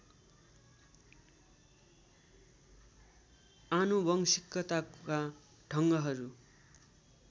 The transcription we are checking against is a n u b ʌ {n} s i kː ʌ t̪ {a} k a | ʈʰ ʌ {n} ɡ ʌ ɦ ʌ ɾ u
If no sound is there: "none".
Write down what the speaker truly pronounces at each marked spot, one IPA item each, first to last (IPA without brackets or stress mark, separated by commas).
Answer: ŋ, a, ŋ